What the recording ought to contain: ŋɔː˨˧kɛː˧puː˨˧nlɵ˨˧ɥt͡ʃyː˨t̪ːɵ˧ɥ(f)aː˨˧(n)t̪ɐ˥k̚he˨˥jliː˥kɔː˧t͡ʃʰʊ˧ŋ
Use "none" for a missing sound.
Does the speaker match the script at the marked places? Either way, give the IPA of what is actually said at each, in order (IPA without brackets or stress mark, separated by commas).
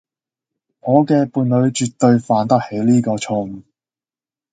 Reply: f, n